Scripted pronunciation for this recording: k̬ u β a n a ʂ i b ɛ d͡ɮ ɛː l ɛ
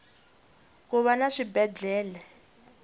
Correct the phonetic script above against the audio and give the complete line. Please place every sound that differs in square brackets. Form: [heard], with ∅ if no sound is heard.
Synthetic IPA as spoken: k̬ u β a n a ʂ i b ɛ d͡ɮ ɛː l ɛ